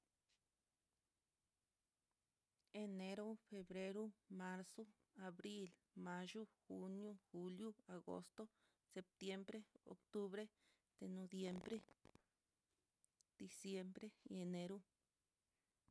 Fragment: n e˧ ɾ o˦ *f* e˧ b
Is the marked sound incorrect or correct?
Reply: correct